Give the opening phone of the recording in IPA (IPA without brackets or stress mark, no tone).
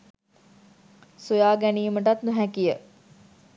s